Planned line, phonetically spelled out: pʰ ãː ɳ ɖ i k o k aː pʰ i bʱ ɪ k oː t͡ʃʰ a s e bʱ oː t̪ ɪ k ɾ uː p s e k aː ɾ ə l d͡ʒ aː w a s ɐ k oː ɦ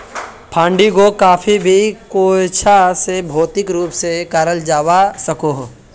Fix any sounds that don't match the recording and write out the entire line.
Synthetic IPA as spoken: pʰ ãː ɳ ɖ i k o k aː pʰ i bʱ i k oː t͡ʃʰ a s e bʱ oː t̪ ɪ k ɾ uː p s e k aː ɾ ə l d͡ʒ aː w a s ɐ k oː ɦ